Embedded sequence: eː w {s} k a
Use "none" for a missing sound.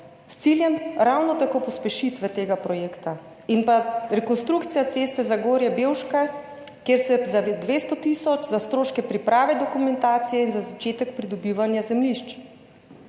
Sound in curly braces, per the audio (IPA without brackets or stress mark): ʃ